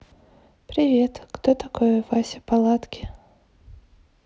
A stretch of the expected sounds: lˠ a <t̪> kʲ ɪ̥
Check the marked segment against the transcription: correct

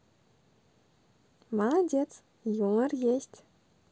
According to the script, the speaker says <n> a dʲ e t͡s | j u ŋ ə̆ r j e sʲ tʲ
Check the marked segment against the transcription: incorrect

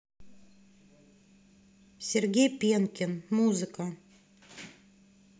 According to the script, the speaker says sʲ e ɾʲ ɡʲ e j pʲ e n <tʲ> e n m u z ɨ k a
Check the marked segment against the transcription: incorrect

